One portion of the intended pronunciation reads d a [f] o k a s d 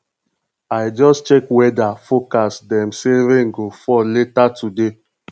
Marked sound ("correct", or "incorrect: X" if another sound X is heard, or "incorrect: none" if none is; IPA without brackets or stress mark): correct